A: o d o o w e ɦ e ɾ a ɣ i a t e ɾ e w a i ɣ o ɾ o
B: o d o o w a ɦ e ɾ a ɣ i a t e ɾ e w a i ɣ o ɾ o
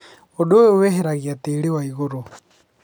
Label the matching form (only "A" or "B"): A